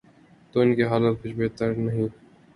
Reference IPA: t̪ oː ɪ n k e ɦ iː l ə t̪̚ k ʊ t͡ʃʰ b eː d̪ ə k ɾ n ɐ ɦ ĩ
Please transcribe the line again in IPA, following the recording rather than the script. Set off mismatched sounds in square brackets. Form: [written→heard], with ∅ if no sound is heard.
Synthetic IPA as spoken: t̪ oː ɪ n k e ɦ [iː→aː] l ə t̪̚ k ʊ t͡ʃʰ b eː [d̪→t̪] ə [k→∅] ɾ n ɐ ɦ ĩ